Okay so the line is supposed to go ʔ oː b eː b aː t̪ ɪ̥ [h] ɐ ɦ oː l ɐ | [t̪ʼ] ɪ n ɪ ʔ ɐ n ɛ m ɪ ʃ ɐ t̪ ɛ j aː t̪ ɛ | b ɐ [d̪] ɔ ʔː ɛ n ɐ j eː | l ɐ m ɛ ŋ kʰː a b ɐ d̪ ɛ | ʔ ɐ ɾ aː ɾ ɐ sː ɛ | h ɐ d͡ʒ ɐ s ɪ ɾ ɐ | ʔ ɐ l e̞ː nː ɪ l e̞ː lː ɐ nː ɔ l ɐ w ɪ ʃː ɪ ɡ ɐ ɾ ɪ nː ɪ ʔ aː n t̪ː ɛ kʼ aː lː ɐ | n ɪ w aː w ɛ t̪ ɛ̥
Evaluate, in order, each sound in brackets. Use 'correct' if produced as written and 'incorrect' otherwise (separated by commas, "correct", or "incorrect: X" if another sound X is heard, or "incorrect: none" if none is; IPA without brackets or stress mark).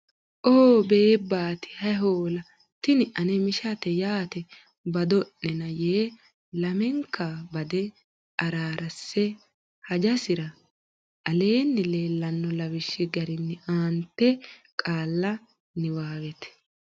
correct, incorrect: t̪, correct